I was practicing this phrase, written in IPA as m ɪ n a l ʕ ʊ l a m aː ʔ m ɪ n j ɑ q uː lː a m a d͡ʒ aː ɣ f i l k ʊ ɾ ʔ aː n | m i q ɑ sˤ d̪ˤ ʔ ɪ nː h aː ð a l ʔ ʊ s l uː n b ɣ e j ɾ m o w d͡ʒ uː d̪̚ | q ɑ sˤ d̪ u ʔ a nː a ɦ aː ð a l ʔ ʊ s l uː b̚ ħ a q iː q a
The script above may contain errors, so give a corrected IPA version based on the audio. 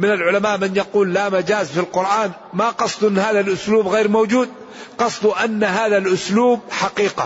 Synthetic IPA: m ɪ n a l ʕ ʊ l a m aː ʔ m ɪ n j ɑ q uː lː a m a d͡ʒ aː z f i l q ʊ ɾ ʔ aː n | m a q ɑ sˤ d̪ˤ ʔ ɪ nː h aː ð a l ʔ ʊ s l uː b ɣ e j ɾ m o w d͡ʒ uː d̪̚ | q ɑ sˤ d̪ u ʔ a nː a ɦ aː ð a l ʔ ʊ s l uː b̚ ħ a q iː q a